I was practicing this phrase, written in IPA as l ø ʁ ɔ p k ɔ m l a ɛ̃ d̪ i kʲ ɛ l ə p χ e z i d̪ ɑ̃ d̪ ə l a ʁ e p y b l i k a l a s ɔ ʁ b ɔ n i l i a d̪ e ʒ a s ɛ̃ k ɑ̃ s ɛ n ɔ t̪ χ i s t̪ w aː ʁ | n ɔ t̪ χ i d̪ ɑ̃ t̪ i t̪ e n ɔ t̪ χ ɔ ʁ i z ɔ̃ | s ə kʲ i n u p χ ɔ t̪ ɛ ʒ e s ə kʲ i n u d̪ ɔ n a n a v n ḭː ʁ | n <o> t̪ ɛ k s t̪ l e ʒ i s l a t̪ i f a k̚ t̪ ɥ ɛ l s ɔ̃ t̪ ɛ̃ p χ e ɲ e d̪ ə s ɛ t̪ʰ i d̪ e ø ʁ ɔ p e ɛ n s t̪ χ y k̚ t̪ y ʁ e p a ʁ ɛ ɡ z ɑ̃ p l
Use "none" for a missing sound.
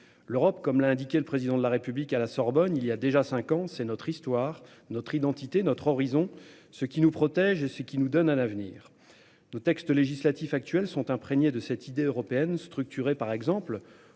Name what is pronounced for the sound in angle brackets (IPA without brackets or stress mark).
o